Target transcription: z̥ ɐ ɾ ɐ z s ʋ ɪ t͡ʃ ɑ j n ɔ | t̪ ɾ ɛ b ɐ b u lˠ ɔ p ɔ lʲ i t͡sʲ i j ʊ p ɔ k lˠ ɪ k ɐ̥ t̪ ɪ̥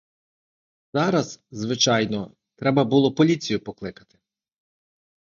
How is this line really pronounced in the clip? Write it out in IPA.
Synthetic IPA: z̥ ɑ ɾ ɐ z z ʋ ɪ t͡ʃ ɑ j n ɔ | t̪ ɾ ɛ b ɐ b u lˠ ɔ p ɔ lʲ i t͡sʲ i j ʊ p ɔ k lˠ ɪ k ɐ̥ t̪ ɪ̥